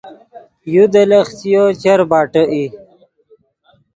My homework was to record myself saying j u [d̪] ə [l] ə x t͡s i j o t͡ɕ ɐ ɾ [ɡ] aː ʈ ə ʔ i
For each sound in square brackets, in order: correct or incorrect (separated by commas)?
correct, correct, incorrect